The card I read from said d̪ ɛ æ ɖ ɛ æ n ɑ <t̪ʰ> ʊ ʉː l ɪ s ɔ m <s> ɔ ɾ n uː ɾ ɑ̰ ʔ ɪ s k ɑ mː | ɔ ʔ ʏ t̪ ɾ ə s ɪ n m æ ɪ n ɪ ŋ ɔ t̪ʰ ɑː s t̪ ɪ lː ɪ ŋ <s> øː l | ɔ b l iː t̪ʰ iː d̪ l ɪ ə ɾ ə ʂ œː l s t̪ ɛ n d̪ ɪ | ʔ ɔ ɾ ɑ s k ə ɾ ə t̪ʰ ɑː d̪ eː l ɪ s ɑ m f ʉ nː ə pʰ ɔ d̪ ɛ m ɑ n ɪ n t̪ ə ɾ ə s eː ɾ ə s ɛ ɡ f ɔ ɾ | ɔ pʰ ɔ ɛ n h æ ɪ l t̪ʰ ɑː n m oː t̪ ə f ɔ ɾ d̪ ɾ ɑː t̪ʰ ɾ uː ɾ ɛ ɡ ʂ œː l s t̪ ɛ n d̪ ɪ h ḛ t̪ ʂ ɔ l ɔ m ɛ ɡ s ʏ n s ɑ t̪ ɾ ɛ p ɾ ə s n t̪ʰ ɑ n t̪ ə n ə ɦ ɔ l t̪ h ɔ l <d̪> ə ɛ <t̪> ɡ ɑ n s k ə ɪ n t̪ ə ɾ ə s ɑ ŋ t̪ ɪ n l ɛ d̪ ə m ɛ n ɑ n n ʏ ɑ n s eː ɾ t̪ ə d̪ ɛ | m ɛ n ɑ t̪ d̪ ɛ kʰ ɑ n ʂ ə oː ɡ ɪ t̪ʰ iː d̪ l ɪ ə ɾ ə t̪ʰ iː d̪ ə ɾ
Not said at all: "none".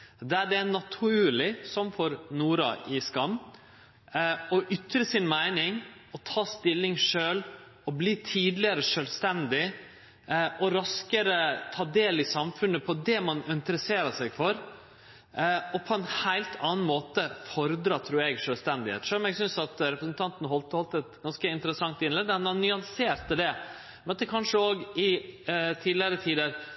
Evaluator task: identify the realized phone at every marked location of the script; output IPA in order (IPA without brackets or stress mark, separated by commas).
t̪ʰ, f, ʂ, t̪, t̪